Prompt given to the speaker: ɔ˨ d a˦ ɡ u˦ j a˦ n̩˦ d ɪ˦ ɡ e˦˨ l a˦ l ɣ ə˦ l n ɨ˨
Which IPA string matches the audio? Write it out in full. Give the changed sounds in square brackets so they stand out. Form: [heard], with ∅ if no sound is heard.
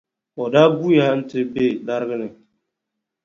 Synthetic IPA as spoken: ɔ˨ d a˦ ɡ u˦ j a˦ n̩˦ [t] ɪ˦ [b] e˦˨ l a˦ [ɾ] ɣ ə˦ [∅] n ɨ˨

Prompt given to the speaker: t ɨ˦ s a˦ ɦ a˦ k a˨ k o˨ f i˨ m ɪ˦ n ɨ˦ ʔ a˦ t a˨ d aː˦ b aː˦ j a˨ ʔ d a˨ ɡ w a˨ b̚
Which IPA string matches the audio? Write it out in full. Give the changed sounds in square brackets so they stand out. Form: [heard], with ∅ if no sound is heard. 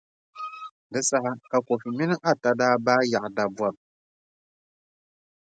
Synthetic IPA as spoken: [d] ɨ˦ s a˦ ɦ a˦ k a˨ k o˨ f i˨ m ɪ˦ n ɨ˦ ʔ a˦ t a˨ d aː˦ b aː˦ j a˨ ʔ d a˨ [b] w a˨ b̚

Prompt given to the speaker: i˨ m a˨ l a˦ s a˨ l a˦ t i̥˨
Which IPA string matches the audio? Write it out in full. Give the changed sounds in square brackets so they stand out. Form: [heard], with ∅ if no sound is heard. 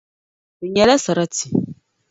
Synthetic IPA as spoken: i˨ [ɲ] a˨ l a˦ s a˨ [ɾ] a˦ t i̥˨

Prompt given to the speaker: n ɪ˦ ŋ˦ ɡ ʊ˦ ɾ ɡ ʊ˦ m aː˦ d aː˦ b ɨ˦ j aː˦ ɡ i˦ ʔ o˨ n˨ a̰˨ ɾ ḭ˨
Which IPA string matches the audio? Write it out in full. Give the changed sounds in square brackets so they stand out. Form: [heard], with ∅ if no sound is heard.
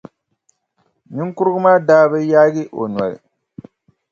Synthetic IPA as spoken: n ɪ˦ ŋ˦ [k] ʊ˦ ɾ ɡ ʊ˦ m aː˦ d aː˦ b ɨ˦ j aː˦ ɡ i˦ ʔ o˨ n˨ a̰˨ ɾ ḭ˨

